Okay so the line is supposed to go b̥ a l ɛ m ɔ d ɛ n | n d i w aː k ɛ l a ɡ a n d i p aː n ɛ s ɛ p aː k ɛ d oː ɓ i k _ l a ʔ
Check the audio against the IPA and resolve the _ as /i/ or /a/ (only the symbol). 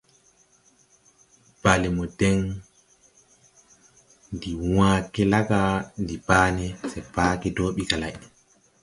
a